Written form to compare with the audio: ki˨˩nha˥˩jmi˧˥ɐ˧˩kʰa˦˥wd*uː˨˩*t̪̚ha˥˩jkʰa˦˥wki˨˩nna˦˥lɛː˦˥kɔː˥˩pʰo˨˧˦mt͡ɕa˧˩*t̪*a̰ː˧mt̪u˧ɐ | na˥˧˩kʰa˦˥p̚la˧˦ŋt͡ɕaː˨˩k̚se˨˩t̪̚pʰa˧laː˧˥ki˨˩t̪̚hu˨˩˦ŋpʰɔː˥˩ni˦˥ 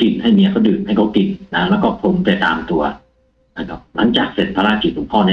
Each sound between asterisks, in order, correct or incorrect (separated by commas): incorrect, correct